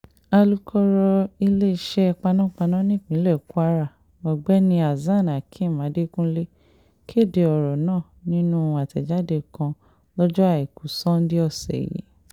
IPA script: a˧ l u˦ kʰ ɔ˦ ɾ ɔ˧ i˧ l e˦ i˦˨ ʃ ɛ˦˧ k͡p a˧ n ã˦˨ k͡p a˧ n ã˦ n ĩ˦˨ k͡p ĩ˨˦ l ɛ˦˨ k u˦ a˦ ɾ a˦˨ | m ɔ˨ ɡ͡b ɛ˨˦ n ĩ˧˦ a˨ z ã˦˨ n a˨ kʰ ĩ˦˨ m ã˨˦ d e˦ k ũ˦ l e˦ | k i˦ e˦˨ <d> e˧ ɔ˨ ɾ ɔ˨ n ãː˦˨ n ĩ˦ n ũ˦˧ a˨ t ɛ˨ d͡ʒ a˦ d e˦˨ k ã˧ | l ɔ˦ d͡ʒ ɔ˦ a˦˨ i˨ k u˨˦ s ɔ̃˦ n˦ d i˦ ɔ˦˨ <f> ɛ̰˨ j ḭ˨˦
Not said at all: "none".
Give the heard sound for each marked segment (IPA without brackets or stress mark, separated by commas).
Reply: d, s